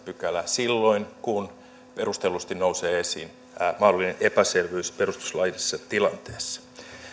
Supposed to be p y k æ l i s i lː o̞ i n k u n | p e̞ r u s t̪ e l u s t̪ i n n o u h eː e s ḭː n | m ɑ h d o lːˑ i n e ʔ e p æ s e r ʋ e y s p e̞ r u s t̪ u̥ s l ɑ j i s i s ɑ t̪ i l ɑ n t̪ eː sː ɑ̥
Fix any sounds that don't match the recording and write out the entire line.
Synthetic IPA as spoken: p y k æ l æ s i lː o̞ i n k u n | p e̞ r u s t̪ e l u s t̪ i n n o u s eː e s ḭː n | m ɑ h d o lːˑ i n e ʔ e p æ s e r ʋ e y s p e̞ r u s t̪ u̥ s l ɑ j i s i sː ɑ t̪ i l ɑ n t̪ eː sː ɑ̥